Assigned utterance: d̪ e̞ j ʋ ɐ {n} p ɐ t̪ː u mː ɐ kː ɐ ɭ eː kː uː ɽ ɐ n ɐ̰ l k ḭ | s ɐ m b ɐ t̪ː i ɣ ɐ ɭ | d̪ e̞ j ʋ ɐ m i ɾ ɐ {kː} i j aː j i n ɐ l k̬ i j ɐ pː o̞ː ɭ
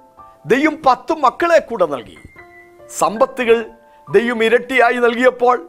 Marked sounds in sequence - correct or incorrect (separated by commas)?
incorrect, incorrect